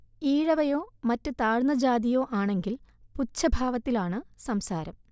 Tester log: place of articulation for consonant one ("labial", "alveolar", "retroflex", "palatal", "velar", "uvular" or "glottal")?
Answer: retroflex